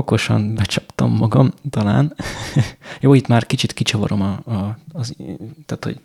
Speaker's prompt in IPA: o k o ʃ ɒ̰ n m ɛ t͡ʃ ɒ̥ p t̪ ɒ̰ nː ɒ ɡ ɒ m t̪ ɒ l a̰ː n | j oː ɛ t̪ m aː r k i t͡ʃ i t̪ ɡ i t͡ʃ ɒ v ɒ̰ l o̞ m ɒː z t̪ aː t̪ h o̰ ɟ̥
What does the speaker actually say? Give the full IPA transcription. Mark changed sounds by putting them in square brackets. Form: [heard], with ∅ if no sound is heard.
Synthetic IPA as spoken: o k o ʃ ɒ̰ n [b] ɛ t͡ʃ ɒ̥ p t̪ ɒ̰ [mː] ɒ ɡ ɒ m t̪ ɒ l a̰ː n | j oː [i] t̪ m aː r k i t͡ʃ i t̪ [k] i t͡ʃ ɒ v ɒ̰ [ɾ] o̞ m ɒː z t̪ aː t̪ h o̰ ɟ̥